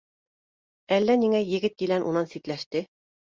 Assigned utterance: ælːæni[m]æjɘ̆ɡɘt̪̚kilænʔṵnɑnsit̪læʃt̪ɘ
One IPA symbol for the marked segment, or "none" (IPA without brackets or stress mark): ŋ